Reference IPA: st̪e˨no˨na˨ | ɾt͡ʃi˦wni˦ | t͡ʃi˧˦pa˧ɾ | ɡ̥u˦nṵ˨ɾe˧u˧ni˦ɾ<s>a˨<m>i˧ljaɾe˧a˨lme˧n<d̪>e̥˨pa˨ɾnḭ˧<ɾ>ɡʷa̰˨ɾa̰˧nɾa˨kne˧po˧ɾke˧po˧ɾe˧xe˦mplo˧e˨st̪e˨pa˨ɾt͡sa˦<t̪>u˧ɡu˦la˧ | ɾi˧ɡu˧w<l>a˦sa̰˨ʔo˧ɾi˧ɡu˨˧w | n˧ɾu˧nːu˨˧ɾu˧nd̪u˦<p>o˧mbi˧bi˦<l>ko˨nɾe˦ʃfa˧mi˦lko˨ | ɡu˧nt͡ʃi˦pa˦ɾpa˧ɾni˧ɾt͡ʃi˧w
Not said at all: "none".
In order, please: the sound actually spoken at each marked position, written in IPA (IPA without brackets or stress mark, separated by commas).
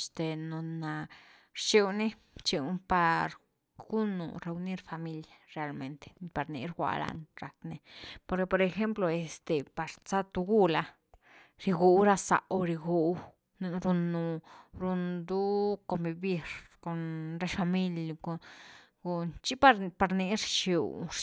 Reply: f, m, t̪, ɾ, t̪, ɾ, k, ɾ